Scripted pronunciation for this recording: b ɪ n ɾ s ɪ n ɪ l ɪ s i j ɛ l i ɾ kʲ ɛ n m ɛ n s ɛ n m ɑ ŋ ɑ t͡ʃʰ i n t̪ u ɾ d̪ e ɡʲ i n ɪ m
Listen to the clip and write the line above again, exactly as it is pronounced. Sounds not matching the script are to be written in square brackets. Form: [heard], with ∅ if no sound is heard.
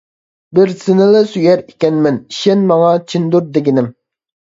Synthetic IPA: b ɪ [∅] ɾ s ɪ n ɪ l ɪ s [y] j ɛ [ɾ] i [∅] kʲ ɛ n m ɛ n [ʃ] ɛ n m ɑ ŋ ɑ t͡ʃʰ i n [d̪] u ɾ d̪ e ɡʲ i n ɪ m